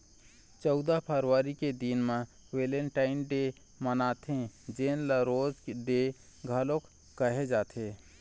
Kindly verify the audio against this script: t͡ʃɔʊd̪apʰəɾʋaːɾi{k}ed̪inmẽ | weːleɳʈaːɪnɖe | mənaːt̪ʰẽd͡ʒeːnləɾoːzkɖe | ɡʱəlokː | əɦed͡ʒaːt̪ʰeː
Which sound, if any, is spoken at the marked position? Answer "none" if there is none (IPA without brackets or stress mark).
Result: k